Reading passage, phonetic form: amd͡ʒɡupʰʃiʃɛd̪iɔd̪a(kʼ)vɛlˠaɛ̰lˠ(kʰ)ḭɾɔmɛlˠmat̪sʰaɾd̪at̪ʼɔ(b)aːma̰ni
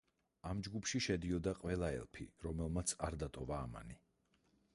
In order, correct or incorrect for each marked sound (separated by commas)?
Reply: incorrect, incorrect, incorrect